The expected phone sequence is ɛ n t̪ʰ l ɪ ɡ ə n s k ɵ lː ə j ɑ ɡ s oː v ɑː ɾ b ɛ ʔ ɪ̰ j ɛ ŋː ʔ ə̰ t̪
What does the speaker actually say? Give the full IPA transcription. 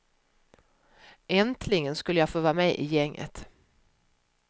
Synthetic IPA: ɛ n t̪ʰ l ɪ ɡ ə n s k ɵ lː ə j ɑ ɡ f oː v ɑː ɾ m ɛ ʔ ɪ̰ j ɛ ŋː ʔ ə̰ t̪

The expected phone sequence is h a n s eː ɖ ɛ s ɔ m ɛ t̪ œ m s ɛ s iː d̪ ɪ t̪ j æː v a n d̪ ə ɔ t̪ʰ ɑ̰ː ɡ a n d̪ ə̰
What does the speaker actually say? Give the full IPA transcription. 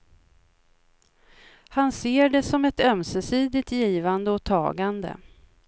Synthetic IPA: h a n s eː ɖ ɛ s ɔ m ɛ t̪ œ m s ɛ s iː d̪ ɪ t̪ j iː v a n d̪ ə ɔ t̪ʰ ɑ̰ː ɡ a n d̪ ə̰

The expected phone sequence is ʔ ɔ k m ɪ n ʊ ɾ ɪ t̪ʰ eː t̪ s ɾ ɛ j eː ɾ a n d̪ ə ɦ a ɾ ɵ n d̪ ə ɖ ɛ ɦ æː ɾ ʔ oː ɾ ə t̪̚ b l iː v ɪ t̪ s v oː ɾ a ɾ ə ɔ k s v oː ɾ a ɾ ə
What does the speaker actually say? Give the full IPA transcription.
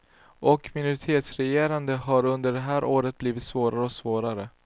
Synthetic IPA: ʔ ɔ k m ɪ n ʊ ɾ ɪ t̪ʰ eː t̪ s ɾ ɛ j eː ɾ a n d̪ ə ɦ a ɾ ɵ n d̪ ə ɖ ɛ ɦ æː ɾ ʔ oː ɾ ə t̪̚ b l iː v ɪ t̪ s v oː ɾ a ɾ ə ɔ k s v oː ɾ a ɾ ə

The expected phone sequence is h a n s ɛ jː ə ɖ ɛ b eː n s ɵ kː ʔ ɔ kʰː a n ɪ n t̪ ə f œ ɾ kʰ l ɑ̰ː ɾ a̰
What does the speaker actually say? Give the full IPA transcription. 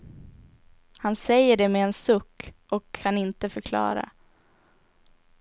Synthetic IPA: h a n s ɛ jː ə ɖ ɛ m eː n s ɵ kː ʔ ɔ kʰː a n ɪ n t̪ ə f œ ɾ kʰ l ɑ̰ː ɾ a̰

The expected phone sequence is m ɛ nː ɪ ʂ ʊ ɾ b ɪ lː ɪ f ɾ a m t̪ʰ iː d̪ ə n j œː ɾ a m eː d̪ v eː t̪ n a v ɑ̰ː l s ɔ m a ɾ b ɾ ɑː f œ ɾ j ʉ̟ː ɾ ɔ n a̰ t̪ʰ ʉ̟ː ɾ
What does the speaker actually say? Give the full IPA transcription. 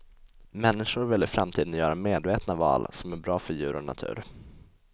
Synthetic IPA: m ɛ nː ɪ ʂ ʊ ɾ v ɪ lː ɪ f ɾ a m t̪ʰ iː d̪ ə n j œː ɾ a m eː d̪ v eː t̪ n a v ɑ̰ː l s ɔ m æ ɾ b ɾ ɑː f œ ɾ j ʉ̟ː ɾ ɔ n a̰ t̪ʰ ʉ̟ː ɾ

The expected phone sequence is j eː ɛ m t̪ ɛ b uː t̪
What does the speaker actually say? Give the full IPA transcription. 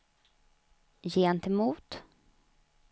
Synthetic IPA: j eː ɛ n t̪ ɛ m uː t̪

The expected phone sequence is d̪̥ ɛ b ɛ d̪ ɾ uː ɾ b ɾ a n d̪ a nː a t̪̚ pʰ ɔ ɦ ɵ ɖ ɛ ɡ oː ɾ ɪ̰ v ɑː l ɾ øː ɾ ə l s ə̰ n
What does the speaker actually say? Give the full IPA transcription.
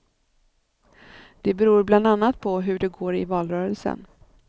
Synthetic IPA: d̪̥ ɛ b ɛ ɾ uː ɾ b l a n d̪ a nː a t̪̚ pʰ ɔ ɦ ɵ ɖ ɛ ɡ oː ɾ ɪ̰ v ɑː l ɾ œː ɾ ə l s ə̰ n

